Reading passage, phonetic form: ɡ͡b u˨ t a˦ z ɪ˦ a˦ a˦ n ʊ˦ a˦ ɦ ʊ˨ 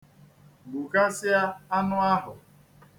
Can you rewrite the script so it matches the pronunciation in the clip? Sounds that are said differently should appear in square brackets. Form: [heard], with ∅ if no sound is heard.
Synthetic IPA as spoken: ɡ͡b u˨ [k] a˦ [s] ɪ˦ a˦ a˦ n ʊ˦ a˦ ɦ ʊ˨